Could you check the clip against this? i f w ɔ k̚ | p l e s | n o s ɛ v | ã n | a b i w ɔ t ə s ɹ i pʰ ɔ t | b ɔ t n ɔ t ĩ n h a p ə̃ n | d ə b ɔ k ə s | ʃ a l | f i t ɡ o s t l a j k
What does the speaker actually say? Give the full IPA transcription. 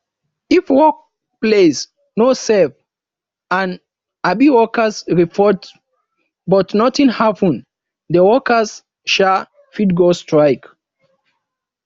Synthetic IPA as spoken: i f w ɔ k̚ | p l e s | n o s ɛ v | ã n | a b i w ɔ k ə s ɹ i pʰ ɔ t | b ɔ t n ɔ t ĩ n h a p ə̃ n | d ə w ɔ k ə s | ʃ a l | f i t ɡ o s t ɹ a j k

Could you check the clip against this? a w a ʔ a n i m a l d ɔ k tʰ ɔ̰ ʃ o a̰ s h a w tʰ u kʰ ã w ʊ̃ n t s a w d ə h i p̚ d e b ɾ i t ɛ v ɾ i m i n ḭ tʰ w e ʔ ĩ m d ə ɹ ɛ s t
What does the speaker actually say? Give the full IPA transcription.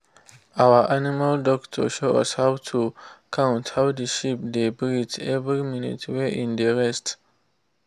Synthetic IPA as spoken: a w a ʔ a n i m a l d ɔ k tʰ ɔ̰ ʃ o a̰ s h a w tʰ u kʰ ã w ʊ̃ n t h a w d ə ʃ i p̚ d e b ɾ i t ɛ v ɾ i m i n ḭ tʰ w e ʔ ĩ n d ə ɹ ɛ s t

